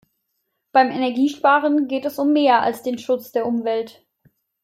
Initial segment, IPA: b̥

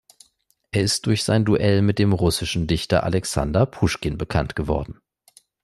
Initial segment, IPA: ʔ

